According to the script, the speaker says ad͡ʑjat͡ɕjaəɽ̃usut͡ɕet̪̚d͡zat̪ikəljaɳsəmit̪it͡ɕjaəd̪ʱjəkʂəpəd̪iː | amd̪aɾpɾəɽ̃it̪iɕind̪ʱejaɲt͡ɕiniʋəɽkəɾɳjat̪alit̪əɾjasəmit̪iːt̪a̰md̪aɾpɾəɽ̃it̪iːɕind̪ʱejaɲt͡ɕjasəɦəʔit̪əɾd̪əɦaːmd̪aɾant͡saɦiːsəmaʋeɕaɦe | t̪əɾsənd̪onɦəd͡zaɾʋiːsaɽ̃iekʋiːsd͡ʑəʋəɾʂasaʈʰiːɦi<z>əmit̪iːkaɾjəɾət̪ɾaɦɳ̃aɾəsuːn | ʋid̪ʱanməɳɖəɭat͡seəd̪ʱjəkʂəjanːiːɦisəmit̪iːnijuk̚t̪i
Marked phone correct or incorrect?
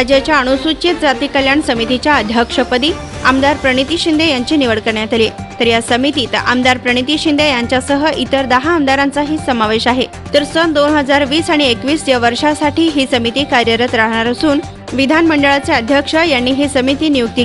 incorrect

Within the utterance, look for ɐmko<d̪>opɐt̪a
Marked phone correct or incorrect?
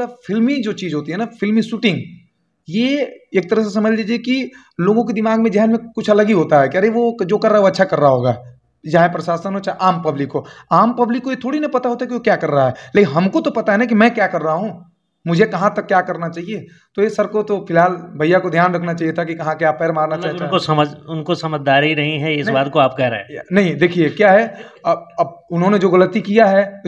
incorrect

